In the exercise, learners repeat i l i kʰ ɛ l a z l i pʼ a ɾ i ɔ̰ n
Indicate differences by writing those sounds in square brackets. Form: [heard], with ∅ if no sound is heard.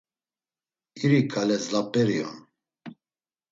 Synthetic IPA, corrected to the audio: i [ɾ] i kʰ [a] l [ɛ] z l [a] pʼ [ɛ] ɾ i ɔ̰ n